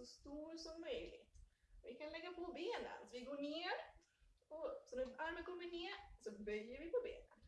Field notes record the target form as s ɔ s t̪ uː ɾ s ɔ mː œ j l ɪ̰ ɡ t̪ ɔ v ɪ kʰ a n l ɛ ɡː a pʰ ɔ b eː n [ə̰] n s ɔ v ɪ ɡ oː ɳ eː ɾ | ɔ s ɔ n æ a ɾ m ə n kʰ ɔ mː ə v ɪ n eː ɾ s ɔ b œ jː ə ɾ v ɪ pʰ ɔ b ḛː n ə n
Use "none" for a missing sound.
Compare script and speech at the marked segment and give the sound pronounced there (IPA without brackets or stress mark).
ə̰